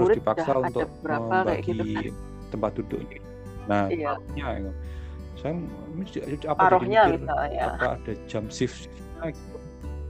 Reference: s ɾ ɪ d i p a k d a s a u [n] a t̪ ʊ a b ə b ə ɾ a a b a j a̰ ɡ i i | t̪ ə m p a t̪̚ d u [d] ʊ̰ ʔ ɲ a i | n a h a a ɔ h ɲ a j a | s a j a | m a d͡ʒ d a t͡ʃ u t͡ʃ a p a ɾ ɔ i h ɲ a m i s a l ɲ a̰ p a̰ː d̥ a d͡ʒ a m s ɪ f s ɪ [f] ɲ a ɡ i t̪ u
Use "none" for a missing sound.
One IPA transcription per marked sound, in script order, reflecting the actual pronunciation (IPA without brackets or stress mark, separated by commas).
n, d, f